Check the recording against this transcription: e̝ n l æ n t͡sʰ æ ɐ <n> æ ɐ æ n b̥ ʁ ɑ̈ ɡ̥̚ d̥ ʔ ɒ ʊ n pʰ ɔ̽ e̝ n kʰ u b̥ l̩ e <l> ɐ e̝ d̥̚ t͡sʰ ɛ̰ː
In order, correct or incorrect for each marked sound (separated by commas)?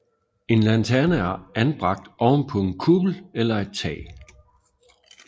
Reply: correct, correct